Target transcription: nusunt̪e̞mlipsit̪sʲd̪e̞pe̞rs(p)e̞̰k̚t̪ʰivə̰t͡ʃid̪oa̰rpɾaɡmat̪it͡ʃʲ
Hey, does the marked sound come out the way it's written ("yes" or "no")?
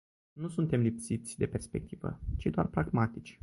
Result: yes